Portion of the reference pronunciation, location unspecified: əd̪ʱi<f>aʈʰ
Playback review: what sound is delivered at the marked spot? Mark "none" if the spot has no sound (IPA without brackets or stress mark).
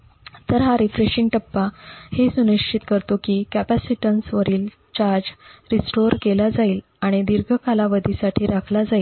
s